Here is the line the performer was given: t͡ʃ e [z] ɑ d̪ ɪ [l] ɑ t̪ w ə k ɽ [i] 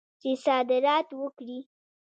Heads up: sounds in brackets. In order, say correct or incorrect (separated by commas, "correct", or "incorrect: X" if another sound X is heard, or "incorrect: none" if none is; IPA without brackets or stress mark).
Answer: incorrect: s, incorrect: ɾ, correct